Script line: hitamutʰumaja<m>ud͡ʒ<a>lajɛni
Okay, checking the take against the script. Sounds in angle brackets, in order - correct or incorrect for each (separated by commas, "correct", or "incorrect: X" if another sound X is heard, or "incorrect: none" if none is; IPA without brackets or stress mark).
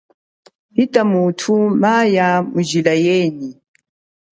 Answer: correct, incorrect: i